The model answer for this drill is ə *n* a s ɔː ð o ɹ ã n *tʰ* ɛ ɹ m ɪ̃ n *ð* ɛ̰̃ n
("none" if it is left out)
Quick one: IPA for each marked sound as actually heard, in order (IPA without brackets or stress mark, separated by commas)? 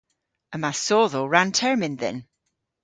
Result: m, tʰ, ð